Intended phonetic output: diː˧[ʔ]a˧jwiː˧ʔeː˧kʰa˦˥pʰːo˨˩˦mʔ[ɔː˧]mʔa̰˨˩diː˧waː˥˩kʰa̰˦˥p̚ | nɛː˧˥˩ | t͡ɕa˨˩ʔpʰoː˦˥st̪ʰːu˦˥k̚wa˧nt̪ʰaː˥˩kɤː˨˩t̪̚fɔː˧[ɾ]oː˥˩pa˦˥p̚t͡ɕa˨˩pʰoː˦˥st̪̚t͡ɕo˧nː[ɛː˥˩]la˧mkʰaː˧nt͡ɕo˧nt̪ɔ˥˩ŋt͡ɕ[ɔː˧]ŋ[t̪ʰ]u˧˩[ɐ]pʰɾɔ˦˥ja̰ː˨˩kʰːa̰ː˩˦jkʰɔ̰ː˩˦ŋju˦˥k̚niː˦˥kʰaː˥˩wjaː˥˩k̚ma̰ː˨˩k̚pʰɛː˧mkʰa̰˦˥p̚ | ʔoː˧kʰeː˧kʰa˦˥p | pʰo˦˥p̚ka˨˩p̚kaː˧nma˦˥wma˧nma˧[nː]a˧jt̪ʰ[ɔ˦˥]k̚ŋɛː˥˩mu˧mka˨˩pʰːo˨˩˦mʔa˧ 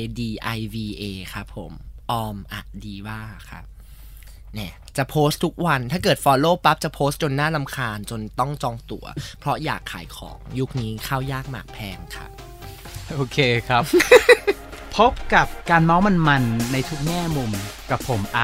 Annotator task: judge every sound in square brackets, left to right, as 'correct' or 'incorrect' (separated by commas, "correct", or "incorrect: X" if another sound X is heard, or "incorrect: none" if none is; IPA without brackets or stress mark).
correct, correct, incorrect: l, incorrect: aː˥˩, correct, incorrect: t̪, correct, correct, incorrect: u˦˥